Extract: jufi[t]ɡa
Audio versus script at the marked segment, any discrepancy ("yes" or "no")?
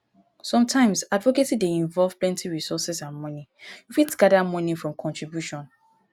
no